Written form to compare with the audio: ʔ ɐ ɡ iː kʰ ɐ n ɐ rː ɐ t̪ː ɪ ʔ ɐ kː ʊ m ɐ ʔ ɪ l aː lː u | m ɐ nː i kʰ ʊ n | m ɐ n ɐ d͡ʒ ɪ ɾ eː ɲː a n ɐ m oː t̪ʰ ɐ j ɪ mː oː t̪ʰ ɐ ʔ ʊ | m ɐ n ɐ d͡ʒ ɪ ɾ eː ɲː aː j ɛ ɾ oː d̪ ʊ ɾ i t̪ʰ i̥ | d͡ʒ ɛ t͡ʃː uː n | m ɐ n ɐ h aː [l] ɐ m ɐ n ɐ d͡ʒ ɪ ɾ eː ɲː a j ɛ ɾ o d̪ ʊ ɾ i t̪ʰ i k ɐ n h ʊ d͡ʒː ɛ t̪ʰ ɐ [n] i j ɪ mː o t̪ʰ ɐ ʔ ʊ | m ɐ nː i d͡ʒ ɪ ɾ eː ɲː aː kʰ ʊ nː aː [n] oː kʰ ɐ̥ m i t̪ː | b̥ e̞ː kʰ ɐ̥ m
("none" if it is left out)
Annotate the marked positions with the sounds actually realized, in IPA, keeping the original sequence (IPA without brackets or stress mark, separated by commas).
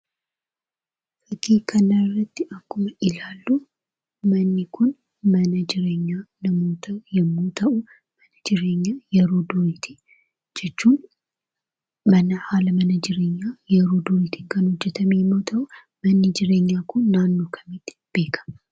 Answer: l, m, nː